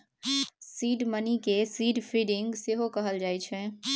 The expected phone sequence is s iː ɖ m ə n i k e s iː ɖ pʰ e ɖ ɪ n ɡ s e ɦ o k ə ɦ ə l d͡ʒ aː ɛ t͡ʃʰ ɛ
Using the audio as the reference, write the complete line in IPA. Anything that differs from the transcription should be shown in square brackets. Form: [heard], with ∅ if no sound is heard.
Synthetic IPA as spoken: s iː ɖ m ə n i k e s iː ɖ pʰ [i] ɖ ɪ [ŋ] ɡ s e ɦ o k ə ɦ ə l d͡ʒ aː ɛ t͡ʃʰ ɛ